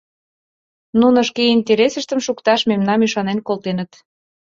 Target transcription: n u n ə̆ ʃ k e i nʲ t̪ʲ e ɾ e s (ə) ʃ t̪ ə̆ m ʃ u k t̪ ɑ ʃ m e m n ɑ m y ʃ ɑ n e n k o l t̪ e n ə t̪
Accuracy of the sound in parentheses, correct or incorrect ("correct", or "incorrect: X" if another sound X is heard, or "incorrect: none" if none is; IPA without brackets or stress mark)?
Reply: correct